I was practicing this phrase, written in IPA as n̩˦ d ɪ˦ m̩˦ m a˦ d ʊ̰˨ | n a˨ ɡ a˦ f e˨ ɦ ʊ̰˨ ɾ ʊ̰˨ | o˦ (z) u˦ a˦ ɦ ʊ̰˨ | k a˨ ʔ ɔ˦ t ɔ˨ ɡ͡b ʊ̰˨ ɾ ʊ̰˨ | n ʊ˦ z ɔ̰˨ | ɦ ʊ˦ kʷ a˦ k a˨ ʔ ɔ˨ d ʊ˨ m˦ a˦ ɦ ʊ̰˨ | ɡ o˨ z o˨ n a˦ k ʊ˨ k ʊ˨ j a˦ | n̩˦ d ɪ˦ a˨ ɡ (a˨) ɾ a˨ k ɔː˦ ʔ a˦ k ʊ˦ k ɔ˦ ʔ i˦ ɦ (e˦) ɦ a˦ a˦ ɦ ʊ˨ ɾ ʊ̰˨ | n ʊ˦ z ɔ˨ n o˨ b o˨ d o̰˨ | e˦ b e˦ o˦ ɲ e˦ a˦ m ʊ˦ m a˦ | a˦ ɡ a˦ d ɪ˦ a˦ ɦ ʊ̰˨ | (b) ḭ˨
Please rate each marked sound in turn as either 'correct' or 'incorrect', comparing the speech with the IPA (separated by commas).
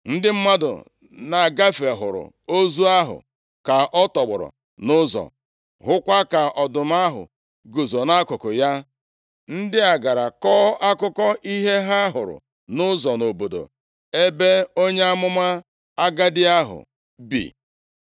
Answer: correct, correct, correct, correct